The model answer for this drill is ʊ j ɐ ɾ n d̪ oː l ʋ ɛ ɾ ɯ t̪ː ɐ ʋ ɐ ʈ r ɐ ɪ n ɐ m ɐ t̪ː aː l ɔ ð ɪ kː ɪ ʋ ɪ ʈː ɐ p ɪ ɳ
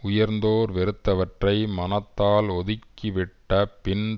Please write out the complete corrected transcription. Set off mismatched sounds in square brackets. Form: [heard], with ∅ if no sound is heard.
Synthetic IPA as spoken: ʊ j ɐ ɾ n d̪ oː [ɾ] ʋ ɛ ɾ ɯ t̪ː ɐ ʋ ɐ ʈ r ɐ ɪ [m] ɐ [n] ɐ t̪ː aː l ɔ ð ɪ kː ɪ ʋ ɪ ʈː ɐ p ɪ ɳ